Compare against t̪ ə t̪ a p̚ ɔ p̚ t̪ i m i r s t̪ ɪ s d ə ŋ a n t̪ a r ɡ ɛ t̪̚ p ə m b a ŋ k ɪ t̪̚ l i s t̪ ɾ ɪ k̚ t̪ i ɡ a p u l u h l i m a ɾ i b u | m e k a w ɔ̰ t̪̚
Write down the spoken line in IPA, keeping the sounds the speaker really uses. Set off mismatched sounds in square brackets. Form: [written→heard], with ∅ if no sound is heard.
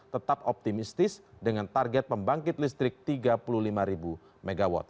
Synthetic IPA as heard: t̪ ə t̪ a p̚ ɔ p̚ t̪ i m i [r→∅] s t̪ ɪ s d ə ŋ a n t̪ a r ɡ ɛ t̪̚ p ə m b a ŋ k ɪ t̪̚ l i s t̪ ɾ ɪ k̚ t̪ i ɡ a p u l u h l i m a ɾ i b u | m e [k→ɡ] a w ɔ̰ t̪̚